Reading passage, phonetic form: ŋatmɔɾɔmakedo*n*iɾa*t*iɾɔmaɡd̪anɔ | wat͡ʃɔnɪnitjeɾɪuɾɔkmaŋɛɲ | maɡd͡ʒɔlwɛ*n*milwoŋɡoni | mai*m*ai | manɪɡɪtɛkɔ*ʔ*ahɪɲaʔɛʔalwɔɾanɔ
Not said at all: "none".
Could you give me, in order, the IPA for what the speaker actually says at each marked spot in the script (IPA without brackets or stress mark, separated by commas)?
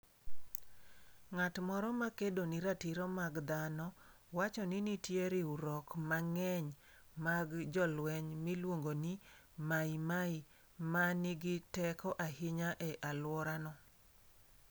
n, t, ɲ, m, ʔ